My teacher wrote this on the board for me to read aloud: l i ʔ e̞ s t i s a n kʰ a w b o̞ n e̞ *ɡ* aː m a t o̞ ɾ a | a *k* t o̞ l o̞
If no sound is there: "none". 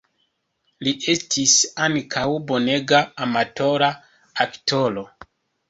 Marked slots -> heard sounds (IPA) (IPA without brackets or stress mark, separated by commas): ɡ, k